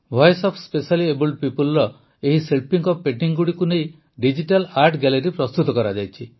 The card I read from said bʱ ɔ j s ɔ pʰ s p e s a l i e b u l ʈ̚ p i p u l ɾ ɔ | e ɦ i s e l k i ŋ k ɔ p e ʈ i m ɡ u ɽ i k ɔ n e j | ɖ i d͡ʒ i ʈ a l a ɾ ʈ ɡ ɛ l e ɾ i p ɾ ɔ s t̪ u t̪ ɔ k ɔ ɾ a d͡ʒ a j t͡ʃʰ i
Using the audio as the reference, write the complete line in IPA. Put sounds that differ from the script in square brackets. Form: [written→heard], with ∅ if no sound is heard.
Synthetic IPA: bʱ ɔ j s ɔ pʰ s p e s a l i e b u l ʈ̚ p i p u l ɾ ɔ | e ɦ i s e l [k→p] i ŋ k ɔ p e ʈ i [m→ŋ] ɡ u ɽ i k [ɔ→u] n e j | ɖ i d͡ʒ i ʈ a l a ɾ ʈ ɡ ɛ l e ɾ i p ɾ ɔ s t̪ u t̪ ɔ k ɔ ɾ a d͡ʒ a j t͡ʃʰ i